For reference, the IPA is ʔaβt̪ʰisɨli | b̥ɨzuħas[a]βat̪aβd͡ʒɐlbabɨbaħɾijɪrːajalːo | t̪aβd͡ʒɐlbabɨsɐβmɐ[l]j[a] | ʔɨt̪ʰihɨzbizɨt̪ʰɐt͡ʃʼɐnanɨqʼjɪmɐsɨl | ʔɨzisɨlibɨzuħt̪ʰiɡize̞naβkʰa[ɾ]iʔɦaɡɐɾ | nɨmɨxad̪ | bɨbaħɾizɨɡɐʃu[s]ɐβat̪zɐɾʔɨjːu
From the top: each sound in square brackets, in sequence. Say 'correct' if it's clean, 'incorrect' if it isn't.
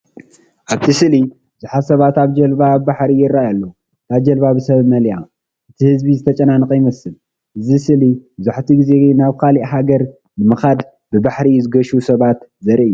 incorrect, correct, correct, incorrect, correct

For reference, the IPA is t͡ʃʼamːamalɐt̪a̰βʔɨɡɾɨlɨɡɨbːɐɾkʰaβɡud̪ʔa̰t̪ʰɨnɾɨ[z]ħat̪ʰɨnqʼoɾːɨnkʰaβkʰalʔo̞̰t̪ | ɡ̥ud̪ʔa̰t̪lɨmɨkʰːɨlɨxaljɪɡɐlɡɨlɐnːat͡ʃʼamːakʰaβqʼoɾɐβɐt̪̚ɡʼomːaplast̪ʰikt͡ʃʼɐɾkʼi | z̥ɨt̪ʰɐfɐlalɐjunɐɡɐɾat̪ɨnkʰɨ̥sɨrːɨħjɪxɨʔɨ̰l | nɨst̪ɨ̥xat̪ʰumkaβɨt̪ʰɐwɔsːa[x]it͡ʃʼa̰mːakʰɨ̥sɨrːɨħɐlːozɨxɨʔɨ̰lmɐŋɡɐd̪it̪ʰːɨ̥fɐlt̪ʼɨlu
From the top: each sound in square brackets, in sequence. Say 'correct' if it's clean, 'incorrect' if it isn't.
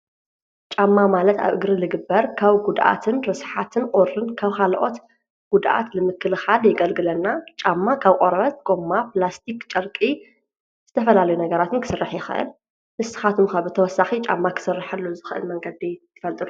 incorrect, correct

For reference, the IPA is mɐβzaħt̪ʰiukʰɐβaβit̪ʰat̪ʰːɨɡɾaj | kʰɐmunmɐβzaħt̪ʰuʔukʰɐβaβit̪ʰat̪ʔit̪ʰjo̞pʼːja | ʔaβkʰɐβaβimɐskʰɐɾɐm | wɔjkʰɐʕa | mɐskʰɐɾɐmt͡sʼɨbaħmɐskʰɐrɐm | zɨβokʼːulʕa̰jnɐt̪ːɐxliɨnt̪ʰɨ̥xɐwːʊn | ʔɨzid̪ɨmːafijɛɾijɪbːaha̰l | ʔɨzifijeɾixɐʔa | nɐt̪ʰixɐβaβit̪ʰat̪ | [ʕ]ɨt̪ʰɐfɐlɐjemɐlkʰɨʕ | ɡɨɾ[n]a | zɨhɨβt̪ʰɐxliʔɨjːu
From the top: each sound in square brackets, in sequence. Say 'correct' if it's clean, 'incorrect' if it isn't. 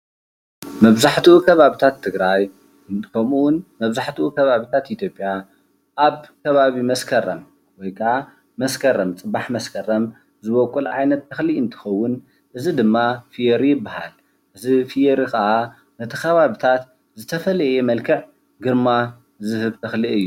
incorrect, incorrect

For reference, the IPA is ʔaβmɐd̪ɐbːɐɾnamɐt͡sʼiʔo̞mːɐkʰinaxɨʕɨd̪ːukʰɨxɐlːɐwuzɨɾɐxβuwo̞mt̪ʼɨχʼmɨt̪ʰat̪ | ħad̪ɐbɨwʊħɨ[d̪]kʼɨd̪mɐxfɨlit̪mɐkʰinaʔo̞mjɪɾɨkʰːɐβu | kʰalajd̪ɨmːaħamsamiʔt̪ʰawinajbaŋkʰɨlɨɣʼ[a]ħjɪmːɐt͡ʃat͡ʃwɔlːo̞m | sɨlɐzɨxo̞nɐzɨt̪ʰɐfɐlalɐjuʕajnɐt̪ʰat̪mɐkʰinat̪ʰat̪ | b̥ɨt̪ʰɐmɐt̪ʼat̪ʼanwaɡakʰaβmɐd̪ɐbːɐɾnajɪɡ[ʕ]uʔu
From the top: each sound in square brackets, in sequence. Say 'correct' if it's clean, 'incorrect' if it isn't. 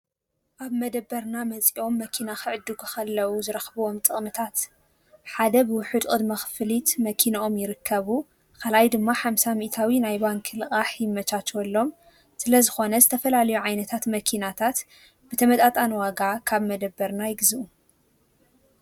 correct, correct, incorrect

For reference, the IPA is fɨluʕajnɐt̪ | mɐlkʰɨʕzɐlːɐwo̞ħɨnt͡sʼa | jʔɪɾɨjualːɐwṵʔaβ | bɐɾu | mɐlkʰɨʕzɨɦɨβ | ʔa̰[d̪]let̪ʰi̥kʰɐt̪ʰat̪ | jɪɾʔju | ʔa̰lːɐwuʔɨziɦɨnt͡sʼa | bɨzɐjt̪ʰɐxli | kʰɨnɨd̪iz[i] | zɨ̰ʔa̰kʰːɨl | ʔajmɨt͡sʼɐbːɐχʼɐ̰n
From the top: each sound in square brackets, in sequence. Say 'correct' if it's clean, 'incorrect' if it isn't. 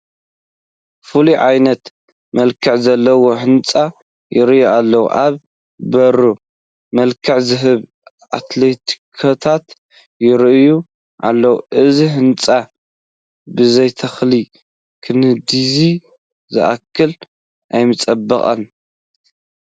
incorrect, correct

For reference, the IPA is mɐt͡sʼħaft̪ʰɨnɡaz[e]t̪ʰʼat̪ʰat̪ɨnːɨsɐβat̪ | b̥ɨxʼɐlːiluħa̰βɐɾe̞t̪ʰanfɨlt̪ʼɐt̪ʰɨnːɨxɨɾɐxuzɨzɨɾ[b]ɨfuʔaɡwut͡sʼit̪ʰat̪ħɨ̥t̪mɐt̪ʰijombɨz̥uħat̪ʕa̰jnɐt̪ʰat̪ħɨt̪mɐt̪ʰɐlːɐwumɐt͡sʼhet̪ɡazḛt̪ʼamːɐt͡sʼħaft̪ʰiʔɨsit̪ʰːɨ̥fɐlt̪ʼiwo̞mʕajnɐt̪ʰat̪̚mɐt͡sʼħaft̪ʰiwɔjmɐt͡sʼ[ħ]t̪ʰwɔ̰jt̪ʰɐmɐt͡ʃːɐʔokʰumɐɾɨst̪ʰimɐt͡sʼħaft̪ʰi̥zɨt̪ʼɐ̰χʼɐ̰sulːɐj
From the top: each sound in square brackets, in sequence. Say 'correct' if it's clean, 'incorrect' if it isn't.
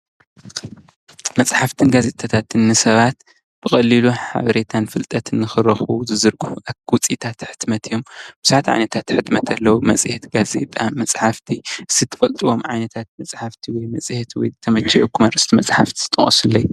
correct, incorrect, incorrect

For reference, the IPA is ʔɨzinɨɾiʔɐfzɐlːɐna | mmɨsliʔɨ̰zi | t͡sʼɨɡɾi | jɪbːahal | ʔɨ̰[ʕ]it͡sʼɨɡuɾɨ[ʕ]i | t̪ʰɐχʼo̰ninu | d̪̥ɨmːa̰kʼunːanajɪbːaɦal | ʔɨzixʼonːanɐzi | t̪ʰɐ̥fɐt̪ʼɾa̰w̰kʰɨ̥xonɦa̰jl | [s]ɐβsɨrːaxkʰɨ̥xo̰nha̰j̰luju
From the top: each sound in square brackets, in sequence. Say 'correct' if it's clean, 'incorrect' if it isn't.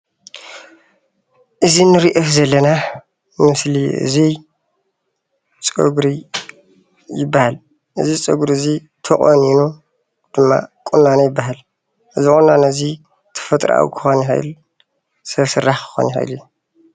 incorrect, incorrect, correct

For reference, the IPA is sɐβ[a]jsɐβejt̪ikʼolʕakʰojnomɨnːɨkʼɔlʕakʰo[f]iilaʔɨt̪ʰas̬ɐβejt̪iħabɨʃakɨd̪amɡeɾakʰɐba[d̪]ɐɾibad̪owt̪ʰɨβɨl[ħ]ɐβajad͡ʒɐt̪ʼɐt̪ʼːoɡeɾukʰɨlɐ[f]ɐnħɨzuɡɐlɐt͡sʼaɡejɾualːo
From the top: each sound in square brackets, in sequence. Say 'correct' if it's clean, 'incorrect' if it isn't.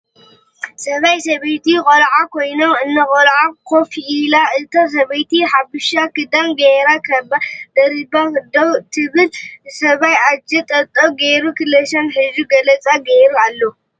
correct, correct, correct, incorrect, incorrect

